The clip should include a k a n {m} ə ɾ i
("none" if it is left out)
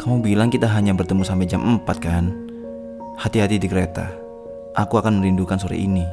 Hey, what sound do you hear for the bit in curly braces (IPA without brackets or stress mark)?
m